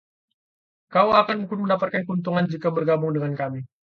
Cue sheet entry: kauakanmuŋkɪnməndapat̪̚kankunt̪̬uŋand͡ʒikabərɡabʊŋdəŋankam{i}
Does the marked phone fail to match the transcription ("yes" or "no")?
no